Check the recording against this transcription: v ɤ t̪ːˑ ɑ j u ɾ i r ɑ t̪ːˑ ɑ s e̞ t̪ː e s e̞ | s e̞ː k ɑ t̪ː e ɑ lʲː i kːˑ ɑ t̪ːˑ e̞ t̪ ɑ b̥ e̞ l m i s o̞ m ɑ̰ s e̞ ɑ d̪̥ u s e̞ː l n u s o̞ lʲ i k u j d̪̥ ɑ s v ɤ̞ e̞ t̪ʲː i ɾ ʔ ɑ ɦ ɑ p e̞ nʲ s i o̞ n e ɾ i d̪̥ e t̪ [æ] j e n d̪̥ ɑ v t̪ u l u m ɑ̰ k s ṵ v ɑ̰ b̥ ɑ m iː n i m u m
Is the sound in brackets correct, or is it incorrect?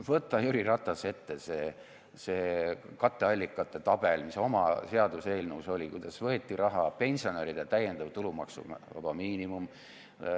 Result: correct